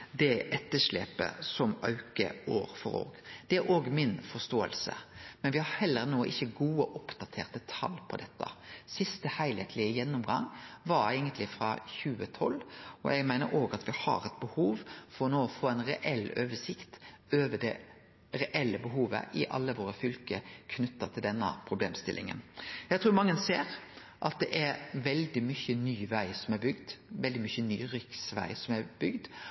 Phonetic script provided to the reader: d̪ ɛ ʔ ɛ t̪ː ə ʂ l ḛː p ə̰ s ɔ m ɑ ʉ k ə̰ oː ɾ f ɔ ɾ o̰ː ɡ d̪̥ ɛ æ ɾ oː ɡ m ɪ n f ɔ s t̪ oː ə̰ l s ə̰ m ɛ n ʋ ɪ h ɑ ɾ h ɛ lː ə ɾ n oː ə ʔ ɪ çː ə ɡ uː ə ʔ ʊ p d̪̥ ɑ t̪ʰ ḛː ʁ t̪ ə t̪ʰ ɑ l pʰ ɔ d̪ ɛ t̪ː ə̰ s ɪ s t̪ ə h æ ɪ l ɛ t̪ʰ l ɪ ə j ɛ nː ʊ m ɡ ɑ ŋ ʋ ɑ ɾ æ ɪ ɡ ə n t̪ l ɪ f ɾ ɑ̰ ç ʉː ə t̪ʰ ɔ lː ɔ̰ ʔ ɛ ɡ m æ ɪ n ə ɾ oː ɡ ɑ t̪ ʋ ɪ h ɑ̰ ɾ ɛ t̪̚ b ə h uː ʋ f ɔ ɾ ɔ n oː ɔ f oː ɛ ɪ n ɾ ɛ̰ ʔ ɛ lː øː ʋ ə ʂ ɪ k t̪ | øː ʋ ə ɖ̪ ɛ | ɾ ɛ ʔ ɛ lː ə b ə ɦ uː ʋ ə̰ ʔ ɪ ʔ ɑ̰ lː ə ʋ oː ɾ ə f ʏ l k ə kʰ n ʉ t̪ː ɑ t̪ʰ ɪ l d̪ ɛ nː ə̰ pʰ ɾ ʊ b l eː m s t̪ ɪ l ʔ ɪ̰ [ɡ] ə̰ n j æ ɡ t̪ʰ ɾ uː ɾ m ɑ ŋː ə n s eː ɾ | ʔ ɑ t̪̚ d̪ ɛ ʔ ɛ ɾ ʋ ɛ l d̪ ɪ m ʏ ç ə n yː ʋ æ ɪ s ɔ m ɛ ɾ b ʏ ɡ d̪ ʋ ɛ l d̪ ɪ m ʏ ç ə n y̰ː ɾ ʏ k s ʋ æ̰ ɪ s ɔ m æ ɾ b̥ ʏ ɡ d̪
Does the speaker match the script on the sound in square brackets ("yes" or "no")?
no